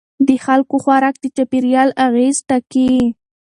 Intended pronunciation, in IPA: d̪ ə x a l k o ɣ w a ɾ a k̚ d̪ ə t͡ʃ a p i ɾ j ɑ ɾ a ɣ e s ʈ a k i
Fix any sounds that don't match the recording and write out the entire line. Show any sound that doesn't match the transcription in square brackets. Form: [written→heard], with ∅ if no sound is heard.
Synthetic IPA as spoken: d̪ ə x a l k o [ɣ→x] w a ɾ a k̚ d̪ ə t͡ʃ a p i ɾ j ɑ [ɾ→l] a ɣ e [s→z] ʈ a k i

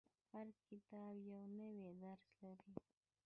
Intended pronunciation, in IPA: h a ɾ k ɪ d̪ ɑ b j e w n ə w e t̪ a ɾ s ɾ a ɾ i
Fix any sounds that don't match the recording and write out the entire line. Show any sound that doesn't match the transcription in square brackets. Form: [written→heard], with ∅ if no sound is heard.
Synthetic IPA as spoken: h a ɾ k ɪ [d̪→t̪] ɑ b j [e→a] w n ə w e [t̪→d̪] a ɾ s [ɾ→l] a ɾ i

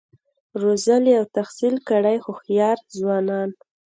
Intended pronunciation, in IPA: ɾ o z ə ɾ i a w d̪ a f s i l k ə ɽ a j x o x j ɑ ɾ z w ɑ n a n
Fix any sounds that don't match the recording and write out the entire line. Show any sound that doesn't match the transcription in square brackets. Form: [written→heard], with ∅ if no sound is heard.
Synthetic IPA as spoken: ɾ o z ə [ɾ→l] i a w [d̪→t̪] a [f→x] s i l k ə ɽ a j x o x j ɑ ɾ z w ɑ n [a→ɑ] n

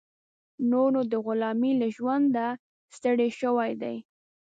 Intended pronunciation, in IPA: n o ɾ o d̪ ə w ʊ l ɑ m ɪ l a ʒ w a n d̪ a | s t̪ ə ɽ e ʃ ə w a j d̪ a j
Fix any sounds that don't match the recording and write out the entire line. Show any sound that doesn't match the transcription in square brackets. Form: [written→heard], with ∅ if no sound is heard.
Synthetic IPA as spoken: n o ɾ o d̪ ə [w→ɣ] ʊ l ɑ m [ɪ→i] l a ʒ w a n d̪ a | s t̪ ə ɽ e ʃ ə w a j d̪ a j

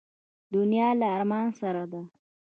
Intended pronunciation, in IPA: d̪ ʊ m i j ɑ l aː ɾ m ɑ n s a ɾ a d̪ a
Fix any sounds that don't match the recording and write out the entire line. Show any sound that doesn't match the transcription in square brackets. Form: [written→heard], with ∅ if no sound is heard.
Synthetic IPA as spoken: d̪ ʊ [m→n] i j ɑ l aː ɾ m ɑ n s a ɾ a d̪ a

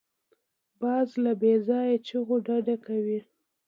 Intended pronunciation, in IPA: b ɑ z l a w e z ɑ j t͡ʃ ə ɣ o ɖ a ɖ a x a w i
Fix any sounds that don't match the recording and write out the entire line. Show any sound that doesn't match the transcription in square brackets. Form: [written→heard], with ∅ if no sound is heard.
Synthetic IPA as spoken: b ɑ z l a [w→b] e z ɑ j t͡ʃ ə ɣ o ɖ a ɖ a [x→k] a w i

